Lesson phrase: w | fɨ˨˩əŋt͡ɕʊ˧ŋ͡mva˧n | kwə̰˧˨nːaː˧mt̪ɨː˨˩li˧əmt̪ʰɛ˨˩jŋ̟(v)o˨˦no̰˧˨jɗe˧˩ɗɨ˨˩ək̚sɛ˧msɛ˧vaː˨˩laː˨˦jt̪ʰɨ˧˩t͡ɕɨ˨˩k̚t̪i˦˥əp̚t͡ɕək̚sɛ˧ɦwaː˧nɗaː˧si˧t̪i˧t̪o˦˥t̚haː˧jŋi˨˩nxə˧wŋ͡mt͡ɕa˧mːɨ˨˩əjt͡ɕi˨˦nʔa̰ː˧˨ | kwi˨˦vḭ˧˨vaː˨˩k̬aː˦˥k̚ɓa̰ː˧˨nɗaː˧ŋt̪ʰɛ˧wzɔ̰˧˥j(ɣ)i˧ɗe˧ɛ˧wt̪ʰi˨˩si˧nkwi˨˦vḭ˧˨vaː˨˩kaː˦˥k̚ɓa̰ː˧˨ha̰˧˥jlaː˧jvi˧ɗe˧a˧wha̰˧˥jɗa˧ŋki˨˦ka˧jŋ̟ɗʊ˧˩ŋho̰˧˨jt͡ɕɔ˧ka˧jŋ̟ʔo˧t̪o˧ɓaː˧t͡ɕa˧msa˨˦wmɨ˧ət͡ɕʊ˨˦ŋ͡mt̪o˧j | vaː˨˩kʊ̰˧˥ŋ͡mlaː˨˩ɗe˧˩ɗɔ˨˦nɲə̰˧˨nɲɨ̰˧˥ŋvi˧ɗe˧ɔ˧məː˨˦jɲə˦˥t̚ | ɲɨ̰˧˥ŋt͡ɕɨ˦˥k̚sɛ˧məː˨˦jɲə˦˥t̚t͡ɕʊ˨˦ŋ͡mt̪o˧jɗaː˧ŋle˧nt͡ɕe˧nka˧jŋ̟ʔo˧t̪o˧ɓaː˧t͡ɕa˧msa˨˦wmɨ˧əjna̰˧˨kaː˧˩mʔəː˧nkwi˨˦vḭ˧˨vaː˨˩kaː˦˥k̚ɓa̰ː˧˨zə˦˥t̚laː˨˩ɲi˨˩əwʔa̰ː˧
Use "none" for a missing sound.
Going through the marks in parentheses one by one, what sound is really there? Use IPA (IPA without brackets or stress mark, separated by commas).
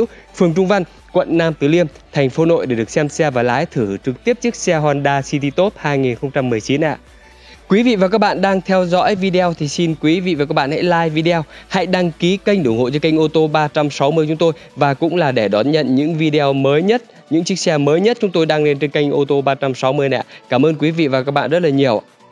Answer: f, v